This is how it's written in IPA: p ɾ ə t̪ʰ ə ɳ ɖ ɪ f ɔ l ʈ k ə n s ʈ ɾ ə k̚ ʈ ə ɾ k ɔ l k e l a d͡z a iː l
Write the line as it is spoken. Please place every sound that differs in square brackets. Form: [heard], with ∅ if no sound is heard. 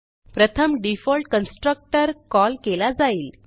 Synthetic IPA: p ɾ ə t̪ʰ ə [m] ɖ [i] f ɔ l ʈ k ə n s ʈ ɾ ə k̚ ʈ ə ɾ k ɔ l k e l a d͡z a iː l